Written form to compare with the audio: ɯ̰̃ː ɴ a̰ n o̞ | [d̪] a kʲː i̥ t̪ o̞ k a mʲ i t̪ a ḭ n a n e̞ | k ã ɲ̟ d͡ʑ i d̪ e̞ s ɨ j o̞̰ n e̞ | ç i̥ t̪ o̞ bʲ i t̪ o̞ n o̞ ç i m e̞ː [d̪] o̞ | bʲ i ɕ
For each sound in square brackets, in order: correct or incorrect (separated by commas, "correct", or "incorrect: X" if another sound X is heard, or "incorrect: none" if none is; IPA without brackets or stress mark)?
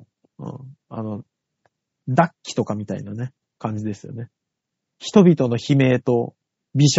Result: correct, incorrect: t̪